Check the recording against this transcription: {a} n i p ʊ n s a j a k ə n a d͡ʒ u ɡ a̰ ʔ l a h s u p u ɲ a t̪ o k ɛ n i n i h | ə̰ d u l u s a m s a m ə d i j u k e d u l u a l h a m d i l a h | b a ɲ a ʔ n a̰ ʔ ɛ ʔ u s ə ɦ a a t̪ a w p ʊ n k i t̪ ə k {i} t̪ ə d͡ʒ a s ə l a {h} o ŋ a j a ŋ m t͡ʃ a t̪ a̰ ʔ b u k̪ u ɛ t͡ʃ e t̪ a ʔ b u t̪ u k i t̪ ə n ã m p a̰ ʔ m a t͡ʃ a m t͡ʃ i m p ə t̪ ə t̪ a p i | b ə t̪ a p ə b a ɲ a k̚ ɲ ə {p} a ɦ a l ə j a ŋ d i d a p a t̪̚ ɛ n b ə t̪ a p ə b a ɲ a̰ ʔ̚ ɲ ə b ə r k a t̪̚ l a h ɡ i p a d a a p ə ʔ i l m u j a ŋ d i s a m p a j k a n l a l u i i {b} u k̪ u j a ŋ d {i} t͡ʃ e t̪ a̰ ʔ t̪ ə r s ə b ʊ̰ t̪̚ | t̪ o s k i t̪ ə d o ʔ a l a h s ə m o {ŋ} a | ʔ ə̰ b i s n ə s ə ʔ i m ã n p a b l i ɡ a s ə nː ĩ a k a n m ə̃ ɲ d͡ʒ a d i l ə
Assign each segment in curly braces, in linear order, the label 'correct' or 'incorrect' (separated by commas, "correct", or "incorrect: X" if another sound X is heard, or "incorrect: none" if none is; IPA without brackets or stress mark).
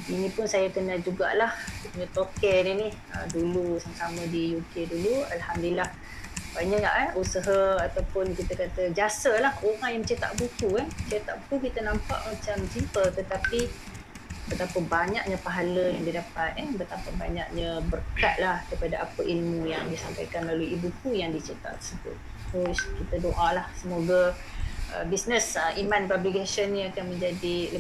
incorrect: i, incorrect: a, correct, correct, correct, correct, incorrect: ɡ